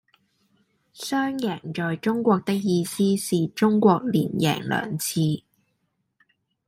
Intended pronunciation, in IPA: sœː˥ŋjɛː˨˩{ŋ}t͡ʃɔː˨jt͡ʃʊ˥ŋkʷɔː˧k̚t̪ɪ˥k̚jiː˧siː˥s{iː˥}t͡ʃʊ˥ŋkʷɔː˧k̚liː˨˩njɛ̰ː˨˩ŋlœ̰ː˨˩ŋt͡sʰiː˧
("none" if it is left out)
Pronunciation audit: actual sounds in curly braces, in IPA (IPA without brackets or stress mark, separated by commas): ŋ, iː˨